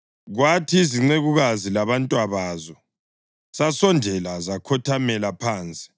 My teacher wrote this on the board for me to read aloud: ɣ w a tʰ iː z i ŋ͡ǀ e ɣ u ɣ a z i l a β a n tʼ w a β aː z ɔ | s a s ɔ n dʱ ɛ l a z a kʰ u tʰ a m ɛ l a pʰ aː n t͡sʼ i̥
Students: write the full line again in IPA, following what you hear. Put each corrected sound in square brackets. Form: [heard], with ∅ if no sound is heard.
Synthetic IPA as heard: ɣ w a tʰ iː z i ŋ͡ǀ e ɣ u ɣ a z i l a β a n tʼ w a β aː z ɔ | s a s ɔ n dʱ ɛ l a z a kʰ [ɔ] tʰ a m ɛ l a pʰ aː n t͡sʼ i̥